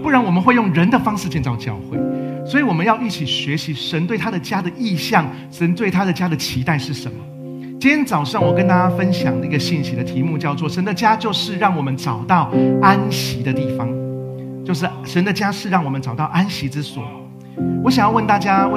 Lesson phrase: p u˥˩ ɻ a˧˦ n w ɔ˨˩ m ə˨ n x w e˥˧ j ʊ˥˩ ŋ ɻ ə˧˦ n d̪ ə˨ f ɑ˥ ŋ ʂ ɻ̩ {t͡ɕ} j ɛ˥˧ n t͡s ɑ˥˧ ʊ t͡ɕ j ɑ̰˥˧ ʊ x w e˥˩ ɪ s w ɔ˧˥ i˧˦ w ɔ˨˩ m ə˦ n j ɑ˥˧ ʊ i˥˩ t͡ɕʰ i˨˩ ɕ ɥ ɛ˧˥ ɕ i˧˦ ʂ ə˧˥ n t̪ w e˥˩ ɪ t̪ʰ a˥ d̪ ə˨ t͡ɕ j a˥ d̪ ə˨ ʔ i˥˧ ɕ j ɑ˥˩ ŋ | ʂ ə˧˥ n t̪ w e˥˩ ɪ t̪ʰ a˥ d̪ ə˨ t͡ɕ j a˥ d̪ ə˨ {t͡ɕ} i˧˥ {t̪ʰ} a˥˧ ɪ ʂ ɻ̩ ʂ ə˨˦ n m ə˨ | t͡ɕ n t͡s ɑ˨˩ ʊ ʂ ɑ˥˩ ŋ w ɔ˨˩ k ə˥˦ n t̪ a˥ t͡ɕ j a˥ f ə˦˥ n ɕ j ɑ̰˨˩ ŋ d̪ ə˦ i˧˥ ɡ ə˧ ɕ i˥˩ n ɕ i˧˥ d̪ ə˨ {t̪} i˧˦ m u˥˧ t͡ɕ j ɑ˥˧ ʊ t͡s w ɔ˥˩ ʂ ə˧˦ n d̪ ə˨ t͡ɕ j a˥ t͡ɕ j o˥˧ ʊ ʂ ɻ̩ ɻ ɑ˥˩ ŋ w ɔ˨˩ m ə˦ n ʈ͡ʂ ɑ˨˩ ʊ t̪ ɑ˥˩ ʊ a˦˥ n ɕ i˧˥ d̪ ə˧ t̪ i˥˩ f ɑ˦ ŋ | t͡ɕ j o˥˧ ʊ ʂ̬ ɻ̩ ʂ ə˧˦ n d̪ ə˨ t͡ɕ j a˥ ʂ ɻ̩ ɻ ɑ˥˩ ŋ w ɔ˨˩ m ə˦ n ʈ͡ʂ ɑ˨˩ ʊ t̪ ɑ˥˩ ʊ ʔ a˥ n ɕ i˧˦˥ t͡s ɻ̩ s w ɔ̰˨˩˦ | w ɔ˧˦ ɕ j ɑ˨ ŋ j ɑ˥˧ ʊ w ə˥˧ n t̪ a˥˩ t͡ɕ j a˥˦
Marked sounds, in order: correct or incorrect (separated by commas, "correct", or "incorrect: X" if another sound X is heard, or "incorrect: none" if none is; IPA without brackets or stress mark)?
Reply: correct, incorrect: t͡ɕʰ, incorrect: t̪, incorrect: t̪ʰ